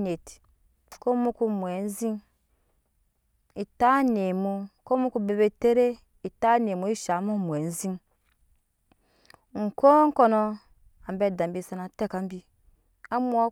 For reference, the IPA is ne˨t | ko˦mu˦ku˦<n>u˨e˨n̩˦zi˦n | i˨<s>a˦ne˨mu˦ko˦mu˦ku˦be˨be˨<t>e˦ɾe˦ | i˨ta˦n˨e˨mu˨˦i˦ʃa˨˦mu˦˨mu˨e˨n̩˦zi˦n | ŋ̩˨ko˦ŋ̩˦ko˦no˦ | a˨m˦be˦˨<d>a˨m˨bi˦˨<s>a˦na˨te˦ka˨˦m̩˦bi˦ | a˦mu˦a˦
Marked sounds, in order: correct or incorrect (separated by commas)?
incorrect, incorrect, correct, correct, correct